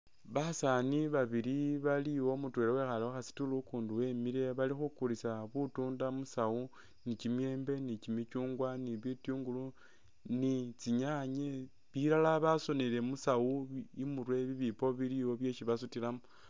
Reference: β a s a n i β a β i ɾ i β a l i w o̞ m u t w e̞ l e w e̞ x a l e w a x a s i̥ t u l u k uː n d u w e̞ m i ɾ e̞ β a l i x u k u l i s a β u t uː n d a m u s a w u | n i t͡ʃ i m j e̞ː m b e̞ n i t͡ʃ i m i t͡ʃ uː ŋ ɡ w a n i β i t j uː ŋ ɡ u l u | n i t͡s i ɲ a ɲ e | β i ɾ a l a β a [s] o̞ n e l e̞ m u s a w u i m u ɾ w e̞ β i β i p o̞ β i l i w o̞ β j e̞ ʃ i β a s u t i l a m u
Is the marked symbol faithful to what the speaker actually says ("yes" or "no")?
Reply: yes